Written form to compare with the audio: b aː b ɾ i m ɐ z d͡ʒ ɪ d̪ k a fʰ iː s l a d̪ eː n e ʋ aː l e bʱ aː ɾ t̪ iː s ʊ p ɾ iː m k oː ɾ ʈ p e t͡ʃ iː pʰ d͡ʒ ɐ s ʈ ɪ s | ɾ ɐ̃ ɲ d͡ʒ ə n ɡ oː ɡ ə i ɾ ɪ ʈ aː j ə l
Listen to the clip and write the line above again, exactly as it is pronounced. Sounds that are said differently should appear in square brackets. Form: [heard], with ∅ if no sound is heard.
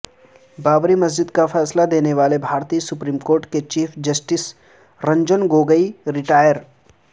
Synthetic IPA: b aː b ɾ i m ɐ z d͡ʒ ɪ d̪ k a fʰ [ɛː] s l a d̪ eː n e ʋ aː l e bʱ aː ɾ t̪ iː s ʊ p ɾ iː m k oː ɾ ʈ [k] e t͡ʃ iː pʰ d͡ʒ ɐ s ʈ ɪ s | ɾ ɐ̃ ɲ d͡ʒ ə n ɡ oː ɡ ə i ɾ ɪ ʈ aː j ə [ɾ]